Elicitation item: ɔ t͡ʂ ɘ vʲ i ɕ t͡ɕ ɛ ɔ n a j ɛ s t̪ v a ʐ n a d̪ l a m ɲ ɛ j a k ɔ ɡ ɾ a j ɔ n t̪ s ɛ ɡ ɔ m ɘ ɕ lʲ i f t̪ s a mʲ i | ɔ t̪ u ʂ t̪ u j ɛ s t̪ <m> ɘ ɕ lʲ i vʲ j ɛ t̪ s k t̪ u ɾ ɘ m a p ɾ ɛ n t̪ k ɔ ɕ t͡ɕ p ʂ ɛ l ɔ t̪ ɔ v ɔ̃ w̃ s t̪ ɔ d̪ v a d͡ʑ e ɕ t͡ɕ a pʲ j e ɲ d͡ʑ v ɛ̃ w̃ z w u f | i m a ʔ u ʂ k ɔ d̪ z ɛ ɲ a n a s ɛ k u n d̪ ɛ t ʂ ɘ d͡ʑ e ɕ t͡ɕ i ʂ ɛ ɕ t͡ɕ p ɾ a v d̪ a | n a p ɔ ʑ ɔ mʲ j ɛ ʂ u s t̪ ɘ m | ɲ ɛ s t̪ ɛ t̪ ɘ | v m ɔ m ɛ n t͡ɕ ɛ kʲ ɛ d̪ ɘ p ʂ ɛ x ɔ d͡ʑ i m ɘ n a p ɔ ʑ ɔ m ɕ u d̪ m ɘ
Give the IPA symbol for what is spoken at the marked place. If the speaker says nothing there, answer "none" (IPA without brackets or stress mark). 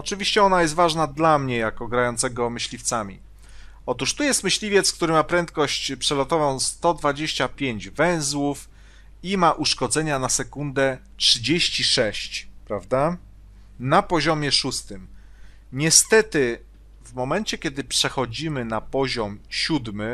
m